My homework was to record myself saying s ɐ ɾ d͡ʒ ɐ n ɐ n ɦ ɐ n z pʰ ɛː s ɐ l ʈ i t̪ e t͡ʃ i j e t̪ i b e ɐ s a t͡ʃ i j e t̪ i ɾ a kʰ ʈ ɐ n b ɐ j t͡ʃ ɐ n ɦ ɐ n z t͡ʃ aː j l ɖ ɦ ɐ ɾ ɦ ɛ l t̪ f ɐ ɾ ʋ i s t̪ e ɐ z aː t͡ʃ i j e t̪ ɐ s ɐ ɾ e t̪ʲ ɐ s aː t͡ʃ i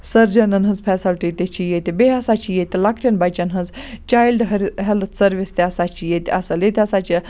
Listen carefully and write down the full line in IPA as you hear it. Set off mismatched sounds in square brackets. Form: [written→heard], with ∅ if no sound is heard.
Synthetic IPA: s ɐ ɾ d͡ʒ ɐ n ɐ n ɦ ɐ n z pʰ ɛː s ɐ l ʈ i t̪ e t͡ʃ i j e t̪ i b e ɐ s a t͡ʃ i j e t̪ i [ɾ→l] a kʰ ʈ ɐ n b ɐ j t͡ʃ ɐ n ɦ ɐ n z t͡ʃ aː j l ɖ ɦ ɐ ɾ ɦ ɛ l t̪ [f→s] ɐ ɾ ʋ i s t̪ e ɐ [z→s] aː t͡ʃ i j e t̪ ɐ s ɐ [ɾ→l] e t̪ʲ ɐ s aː t͡ʃ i